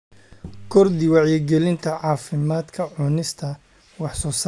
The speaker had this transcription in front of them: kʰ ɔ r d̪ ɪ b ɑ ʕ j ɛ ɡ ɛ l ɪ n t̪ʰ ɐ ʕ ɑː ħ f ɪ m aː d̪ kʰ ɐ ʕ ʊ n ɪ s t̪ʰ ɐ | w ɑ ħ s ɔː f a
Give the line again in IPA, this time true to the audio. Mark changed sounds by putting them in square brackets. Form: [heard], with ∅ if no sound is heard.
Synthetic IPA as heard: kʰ ɔ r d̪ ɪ [w] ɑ ʕ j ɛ ɡ ɛ l ɪ n t̪ʰ ɐ ʕ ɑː [∅] f ɪ m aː d̪ kʰ ɐ ʕ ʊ n ɪ s t̪ʰ ɐ | w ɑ ħ s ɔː [s] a